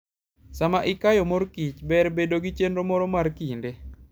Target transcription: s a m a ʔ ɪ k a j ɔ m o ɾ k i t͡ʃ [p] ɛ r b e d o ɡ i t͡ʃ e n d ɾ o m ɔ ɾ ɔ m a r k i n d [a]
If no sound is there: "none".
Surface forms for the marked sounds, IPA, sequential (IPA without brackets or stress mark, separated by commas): b, e